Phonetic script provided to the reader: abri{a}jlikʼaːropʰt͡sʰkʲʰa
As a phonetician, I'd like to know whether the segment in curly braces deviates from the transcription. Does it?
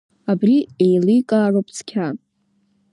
yes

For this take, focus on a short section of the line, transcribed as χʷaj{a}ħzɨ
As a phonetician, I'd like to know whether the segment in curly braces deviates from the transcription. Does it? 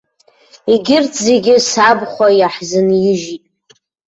no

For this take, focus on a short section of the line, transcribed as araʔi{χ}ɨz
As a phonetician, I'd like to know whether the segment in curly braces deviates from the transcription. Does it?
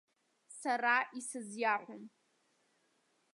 yes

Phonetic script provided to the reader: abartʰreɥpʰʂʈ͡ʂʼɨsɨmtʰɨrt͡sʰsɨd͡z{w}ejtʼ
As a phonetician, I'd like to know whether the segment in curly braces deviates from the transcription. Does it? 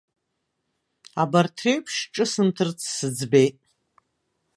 yes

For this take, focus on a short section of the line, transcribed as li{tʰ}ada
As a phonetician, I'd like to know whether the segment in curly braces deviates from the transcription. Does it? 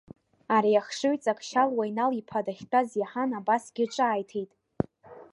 yes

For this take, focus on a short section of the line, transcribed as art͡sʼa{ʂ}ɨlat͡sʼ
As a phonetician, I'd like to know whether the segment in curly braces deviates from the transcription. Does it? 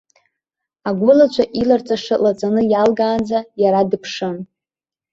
no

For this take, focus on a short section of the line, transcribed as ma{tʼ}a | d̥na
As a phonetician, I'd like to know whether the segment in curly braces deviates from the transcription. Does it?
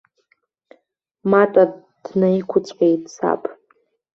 no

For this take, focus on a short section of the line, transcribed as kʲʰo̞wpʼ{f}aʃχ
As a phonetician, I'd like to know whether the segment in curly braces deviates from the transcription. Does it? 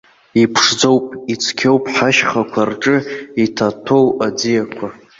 yes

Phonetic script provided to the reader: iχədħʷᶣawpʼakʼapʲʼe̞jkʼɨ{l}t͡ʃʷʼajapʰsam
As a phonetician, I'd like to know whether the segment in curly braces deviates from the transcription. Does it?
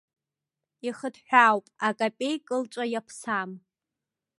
no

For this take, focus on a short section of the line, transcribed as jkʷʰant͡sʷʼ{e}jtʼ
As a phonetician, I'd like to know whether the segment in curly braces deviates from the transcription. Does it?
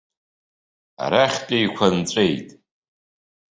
no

